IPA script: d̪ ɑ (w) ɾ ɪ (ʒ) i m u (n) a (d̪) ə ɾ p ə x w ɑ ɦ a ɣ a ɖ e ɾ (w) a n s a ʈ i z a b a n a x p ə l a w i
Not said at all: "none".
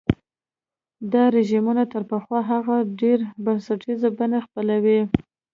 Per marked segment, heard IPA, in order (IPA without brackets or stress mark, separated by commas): none, ʒ, n, t̪, b